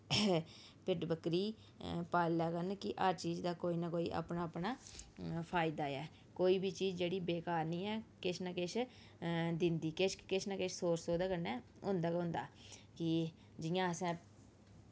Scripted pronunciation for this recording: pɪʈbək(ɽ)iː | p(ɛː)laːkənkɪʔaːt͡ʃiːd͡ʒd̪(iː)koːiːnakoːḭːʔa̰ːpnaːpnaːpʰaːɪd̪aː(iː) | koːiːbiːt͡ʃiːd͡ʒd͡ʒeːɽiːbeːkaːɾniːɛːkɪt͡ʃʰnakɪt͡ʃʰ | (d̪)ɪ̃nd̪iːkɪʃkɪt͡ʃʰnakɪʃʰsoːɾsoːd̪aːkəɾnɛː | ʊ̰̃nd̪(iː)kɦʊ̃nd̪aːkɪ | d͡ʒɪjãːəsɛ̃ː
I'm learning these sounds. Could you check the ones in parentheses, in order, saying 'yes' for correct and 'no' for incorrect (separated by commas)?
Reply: no, no, no, no, yes, no